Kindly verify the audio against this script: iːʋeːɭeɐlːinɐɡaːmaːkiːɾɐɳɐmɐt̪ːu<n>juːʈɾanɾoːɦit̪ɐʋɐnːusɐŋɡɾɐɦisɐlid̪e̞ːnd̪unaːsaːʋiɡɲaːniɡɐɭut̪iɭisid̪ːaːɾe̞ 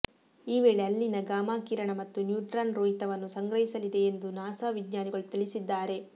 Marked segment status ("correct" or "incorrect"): correct